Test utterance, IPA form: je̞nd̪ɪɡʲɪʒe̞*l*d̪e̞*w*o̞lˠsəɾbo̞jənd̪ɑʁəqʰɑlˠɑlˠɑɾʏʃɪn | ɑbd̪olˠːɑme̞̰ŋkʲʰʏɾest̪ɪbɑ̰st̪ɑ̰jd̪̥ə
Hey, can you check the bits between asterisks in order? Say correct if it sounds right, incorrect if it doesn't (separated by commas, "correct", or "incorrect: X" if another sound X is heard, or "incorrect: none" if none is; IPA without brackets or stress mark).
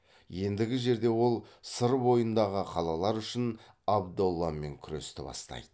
incorrect: ɾ, correct